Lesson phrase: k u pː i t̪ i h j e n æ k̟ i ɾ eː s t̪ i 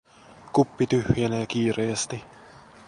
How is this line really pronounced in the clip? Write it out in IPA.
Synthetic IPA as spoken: k u pː i t̪ y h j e n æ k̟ iː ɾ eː s t̪ i